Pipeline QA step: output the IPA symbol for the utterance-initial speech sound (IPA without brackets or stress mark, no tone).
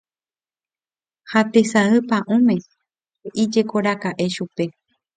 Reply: h